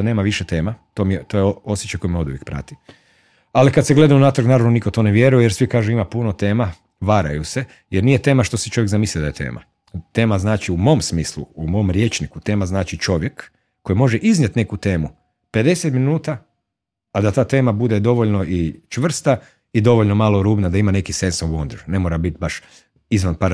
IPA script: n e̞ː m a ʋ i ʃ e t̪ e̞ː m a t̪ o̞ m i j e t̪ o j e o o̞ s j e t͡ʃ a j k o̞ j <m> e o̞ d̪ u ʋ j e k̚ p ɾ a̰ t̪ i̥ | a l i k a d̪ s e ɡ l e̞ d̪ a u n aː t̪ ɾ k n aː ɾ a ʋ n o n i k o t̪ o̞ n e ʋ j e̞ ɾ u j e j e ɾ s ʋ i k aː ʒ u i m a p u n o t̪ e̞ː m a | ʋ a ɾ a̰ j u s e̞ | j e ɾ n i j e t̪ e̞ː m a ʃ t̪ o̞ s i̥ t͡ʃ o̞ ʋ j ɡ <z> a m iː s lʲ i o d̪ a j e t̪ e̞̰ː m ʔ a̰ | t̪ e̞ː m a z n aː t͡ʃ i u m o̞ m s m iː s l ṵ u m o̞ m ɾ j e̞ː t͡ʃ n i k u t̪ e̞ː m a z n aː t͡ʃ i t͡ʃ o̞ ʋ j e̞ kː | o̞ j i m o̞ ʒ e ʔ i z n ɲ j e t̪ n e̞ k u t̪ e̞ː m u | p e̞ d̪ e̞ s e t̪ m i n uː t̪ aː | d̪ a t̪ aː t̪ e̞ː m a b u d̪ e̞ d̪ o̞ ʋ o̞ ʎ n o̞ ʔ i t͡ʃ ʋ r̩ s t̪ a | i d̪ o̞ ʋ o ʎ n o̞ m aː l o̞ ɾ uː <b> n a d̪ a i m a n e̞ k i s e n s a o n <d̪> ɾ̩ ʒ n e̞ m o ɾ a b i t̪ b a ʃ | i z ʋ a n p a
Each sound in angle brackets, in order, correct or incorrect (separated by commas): correct, correct, correct, correct